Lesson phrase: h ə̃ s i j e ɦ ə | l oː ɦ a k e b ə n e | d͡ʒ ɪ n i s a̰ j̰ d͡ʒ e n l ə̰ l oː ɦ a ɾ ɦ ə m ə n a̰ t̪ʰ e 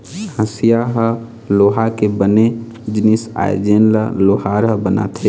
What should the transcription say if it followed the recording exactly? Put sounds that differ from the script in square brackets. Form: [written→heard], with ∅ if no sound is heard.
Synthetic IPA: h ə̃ s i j [e→a] ɦ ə | l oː ɦ a k e b ə n e | d͡ʒ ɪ n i s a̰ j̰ d͡ʒ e n l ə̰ l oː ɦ a ɾ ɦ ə [m→b] ə n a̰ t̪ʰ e